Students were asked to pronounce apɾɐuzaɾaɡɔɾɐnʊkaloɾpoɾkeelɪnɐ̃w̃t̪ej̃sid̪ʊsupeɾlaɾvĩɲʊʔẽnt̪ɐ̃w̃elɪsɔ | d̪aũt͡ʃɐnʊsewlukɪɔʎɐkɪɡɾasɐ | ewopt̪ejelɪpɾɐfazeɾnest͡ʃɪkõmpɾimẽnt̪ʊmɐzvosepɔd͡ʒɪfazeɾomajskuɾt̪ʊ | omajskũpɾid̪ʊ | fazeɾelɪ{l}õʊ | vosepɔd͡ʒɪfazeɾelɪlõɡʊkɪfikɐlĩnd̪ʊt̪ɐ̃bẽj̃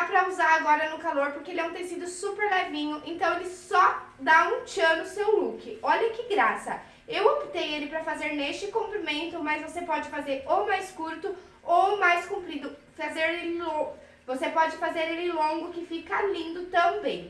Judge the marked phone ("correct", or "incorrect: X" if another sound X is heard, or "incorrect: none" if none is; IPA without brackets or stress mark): correct